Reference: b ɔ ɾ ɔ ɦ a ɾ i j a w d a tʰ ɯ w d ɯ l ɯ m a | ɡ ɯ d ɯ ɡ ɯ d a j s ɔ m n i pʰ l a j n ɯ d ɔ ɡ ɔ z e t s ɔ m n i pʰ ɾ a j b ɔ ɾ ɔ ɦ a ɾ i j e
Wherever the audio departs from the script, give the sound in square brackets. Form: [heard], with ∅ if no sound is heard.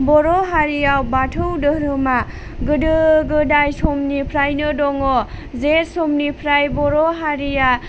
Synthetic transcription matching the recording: b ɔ ɾ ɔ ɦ a ɾ i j a w [b] a tʰ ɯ w d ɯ [ɾ] ɯ m a | ɡ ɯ d ɯ ɡ ɯ d a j s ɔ m n i pʰ [ɾ] a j n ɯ d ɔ [ŋ] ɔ z e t s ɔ m n i pʰ ɾ a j b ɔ ɾ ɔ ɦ a ɾ i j [a]